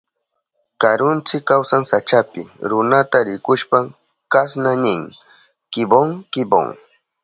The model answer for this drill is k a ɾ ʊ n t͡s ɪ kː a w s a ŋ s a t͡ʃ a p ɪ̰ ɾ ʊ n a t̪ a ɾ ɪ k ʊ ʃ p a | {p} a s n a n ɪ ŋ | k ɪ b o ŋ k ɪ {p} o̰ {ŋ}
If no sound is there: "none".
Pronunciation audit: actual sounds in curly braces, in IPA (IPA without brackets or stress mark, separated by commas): k, b, ŋ